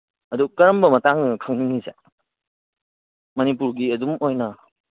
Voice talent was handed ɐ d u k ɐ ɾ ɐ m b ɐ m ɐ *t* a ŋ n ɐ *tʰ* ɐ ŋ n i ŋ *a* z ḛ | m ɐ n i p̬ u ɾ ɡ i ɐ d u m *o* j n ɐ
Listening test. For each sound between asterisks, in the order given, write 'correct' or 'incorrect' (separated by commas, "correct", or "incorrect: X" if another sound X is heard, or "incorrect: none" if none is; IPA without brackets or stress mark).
correct, incorrect: kʰ, incorrect: i, correct